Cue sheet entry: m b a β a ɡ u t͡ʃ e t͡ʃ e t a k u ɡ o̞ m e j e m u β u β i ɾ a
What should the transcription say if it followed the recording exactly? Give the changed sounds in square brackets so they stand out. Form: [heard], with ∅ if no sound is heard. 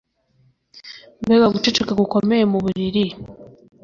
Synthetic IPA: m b [e] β a ɡ u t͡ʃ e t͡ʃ e [k] a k u [k] o̞ m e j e m u β u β i ɾ [i]